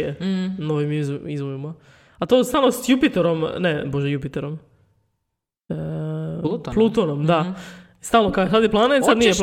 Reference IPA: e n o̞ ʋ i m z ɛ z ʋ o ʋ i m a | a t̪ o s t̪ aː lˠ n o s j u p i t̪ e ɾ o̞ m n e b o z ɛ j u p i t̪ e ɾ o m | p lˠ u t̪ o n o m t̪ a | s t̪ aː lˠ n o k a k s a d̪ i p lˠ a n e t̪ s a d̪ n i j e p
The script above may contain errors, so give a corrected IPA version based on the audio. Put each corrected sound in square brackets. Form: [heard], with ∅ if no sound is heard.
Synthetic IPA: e n o̞ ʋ i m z [i] z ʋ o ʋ i m a | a t̪ o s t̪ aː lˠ n o s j u p i t̪ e ɾ o̞ m n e b o [ʒ] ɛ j u p i t̪ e ɾ o m | p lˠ u t̪ o n o m [d̪] a | s t̪ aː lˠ n o k a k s a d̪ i p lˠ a n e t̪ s a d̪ n i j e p